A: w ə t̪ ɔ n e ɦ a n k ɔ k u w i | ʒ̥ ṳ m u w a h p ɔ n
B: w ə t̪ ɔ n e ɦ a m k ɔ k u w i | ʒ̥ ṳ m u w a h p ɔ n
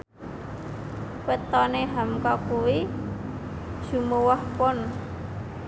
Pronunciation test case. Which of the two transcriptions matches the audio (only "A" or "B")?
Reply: B